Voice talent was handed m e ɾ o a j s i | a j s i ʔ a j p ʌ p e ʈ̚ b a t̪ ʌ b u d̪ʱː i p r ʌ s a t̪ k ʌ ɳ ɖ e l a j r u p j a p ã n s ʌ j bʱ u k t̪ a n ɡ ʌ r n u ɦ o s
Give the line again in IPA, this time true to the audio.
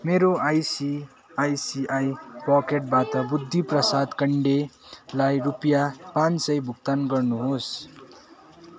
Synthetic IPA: m e ɾ o a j s i | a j s i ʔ a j p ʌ k e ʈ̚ b a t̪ ʌ b u d̪ʱː i p r ʌ s a d̪ k ʌ ɳ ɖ e l a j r u p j a p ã n s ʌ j bʱ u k t̪ a n ɡ ʌ r n u ɦ o s